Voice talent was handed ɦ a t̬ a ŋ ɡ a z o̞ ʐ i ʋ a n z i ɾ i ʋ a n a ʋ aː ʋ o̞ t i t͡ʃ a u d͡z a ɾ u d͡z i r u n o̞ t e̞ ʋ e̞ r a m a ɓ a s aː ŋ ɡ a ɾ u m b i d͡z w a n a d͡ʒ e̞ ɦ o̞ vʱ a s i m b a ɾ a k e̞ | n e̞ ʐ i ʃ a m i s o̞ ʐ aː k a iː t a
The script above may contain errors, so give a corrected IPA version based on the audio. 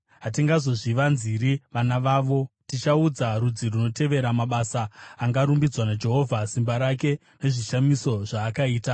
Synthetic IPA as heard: ɦ a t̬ i ŋ ɡ a z o̞ ʐ i ʋ a n z i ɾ i ʋ a n a ʋ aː ʋ o̞ t i t͡ʃ a u d͡z a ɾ u d͡z i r u n o̞ t e̞ ʋ e̞ ɾ a m a ɓ a s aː ŋ ɡ a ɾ u m b i d͡z w a n a d͡ʒ e̞ ɦ o̞ vʱ a s i m b a ɾ a k e̞ | n e̞ ʐ i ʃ a m i s o̞ ʐ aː k a iː t a